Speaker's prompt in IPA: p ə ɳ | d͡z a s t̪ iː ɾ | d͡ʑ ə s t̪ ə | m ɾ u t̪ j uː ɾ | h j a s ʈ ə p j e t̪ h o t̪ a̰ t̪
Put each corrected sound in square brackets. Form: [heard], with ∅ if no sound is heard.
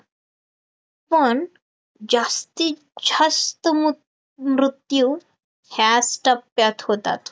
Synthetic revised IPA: p ə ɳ | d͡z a s t̪ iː [∅] | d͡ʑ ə s t̪ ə | m ɾ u t̪ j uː [∅] | h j a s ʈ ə p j [a] t̪ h o t̪ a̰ t̪